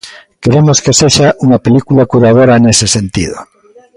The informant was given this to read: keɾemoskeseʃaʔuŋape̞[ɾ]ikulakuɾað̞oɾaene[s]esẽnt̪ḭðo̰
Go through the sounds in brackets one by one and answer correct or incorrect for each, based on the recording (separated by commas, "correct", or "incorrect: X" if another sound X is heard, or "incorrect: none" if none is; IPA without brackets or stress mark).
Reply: incorrect: l, correct